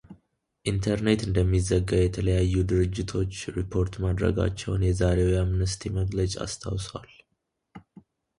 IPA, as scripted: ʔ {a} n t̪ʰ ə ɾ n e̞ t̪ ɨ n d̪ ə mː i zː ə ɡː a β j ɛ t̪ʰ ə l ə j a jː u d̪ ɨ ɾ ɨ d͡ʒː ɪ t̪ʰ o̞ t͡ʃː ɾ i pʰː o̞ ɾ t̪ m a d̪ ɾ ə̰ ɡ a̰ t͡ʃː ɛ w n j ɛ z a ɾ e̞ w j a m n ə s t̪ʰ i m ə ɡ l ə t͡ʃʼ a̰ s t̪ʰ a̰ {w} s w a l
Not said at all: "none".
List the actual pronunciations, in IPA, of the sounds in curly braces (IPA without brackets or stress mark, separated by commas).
i, w